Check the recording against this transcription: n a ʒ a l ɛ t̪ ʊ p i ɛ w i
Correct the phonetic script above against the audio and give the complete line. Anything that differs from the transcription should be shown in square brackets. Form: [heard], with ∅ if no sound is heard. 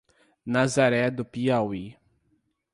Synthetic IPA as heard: n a [z] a [ɾ] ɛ [d̪] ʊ p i [a] w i